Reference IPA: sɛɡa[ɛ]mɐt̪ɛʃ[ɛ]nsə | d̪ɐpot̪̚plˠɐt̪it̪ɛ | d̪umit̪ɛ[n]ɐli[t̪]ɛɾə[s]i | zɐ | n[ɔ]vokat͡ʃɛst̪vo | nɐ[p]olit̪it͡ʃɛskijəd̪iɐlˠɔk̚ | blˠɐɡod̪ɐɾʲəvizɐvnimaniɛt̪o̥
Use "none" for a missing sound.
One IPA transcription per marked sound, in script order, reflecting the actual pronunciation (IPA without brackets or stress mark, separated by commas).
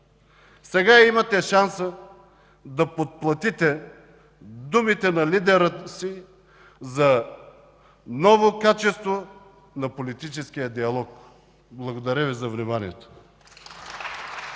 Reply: i, a, n, d̪, s, ɔ, p